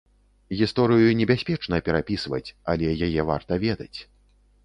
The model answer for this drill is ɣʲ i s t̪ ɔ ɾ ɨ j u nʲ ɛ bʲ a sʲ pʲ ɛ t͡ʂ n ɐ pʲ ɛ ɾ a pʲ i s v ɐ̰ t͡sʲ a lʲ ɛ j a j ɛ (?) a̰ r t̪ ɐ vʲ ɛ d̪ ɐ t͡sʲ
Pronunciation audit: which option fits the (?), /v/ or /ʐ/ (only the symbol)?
v